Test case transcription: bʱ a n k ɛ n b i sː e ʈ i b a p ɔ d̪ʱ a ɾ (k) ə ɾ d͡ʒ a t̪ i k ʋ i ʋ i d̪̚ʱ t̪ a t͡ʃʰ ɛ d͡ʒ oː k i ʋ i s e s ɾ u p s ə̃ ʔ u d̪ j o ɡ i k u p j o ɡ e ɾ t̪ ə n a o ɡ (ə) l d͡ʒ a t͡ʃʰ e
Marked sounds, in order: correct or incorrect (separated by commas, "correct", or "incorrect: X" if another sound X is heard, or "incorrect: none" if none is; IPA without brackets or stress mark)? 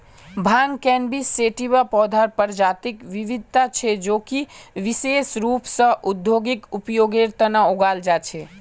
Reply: incorrect: p, incorrect: a